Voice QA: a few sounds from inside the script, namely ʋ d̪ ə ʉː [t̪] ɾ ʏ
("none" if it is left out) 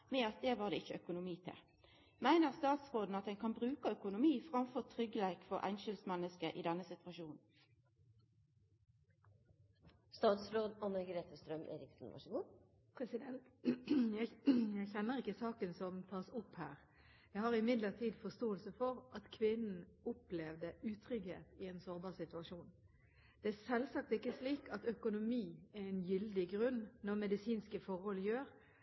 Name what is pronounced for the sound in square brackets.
t̪ʰ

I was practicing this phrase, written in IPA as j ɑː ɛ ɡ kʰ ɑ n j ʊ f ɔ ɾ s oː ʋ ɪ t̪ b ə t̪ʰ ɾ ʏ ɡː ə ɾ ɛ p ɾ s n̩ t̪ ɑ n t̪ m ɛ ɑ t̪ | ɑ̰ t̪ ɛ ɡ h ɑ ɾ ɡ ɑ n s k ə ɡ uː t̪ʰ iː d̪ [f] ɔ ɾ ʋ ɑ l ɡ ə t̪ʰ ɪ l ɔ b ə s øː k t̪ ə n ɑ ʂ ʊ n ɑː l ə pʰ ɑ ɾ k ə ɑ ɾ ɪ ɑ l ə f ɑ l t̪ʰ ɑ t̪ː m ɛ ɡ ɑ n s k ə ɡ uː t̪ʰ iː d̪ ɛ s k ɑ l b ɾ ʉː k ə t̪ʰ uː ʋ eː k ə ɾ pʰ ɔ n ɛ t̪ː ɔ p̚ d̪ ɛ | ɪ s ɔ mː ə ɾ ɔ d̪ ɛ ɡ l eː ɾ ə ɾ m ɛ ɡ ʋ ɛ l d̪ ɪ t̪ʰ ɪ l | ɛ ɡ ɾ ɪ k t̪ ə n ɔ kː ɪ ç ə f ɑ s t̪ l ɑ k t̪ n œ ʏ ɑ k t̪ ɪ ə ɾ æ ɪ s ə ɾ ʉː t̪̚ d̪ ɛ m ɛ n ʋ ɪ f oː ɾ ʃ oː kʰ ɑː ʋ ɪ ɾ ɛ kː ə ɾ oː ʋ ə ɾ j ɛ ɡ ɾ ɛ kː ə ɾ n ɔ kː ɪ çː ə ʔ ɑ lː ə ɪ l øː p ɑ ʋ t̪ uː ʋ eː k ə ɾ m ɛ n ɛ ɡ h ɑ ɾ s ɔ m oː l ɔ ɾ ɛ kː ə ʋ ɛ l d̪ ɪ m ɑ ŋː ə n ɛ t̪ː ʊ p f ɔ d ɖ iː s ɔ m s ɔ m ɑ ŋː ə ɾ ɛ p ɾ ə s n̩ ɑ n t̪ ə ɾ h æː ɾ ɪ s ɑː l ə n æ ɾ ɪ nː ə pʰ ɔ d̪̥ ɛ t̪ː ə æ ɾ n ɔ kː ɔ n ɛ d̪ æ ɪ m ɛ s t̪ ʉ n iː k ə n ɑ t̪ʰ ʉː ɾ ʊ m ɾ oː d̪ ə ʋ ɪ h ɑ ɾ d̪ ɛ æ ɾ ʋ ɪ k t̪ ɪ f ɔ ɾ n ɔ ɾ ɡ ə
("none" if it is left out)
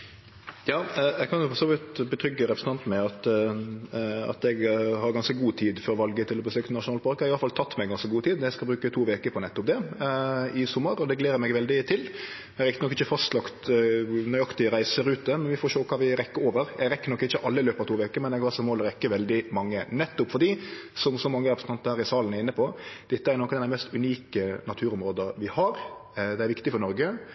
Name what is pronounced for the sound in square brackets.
f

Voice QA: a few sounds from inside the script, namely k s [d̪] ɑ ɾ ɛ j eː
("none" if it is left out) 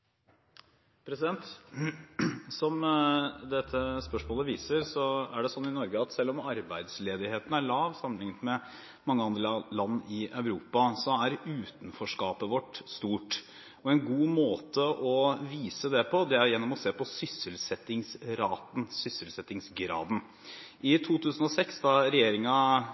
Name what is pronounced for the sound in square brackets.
d̪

